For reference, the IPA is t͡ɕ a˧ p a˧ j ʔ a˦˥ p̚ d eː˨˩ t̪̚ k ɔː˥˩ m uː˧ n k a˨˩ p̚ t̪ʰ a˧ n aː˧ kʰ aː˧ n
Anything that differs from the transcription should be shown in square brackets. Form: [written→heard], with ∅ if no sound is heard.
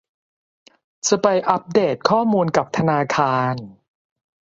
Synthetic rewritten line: t͡ɕ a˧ p a˧ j ʔ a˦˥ p̚ d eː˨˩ t̪̚ [k→kʰ] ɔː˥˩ m uː˧ n k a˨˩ p̚ t̪ʰ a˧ n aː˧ kʰ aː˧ n